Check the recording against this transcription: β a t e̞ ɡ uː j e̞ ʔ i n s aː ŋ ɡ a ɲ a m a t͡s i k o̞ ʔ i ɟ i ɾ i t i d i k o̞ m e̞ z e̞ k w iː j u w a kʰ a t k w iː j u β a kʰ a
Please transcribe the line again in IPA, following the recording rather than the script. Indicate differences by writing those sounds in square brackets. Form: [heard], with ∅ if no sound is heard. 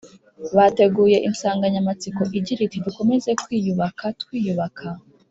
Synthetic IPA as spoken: β a t e̞ ɡ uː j e̞ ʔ i n s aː ŋ ɡ a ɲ a m a t͡s i k o̞ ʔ i ɟ i ɾ i t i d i k o̞ m e̞ z e̞ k w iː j u [β] a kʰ a t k w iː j u β a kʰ a